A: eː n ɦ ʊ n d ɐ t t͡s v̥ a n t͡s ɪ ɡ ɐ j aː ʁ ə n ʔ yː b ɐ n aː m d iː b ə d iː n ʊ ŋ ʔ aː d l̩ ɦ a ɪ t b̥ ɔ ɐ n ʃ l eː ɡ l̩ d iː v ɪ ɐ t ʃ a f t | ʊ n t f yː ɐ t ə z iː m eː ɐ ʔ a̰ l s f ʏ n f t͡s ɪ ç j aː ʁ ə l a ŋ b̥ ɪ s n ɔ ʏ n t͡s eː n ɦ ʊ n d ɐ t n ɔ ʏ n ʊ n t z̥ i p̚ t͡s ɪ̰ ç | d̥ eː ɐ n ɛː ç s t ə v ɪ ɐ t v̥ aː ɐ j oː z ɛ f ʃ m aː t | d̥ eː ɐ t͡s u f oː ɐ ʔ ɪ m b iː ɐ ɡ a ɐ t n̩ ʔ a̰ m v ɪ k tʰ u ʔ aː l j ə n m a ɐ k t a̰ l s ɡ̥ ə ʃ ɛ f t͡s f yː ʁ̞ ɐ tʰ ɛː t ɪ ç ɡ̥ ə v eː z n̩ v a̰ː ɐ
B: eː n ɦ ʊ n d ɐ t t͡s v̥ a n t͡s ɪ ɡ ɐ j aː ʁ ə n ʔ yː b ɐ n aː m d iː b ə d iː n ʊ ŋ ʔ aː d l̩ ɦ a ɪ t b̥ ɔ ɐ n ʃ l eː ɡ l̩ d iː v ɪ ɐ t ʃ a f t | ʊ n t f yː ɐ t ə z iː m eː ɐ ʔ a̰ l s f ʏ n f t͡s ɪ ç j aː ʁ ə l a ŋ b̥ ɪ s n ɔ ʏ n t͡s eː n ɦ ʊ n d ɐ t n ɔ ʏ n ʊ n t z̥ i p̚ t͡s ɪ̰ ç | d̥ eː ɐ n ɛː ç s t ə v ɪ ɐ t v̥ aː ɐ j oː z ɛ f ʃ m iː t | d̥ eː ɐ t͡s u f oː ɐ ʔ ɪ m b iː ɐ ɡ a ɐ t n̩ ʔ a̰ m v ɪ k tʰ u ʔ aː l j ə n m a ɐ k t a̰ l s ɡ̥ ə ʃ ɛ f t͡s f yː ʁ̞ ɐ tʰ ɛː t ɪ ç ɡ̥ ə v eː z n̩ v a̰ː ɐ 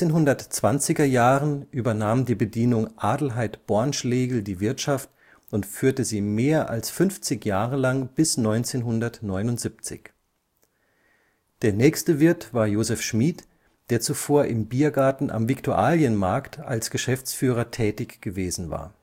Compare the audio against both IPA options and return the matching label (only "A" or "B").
B